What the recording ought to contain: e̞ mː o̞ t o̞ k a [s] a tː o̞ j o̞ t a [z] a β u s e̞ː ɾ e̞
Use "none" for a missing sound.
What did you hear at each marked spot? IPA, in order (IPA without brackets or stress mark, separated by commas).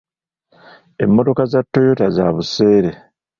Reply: z, z